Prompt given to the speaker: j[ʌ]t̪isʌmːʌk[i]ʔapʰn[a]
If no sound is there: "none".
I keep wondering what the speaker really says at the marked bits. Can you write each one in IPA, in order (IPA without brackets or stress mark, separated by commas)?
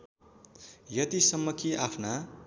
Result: ʌ, i, a